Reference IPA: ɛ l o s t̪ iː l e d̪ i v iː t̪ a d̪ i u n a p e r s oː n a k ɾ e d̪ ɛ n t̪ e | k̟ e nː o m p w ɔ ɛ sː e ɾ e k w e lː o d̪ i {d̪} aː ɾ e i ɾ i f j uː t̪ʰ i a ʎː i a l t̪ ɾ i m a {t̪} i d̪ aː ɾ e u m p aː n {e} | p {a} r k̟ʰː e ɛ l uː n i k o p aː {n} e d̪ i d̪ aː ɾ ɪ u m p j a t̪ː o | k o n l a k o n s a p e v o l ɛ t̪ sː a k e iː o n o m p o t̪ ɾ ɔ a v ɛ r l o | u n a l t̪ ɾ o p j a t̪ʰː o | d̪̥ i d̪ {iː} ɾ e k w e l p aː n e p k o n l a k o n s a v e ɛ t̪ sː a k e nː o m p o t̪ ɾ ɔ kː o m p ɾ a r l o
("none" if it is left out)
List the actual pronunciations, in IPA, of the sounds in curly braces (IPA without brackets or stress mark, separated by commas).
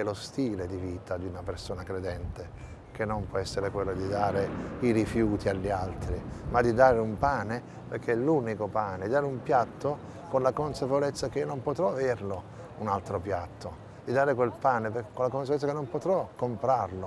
d̪, d̪, e, e, n, aː